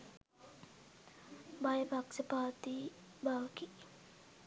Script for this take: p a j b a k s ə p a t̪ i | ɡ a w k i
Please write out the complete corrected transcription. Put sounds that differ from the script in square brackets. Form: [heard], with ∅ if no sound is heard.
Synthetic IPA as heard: [b] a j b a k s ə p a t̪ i | [b] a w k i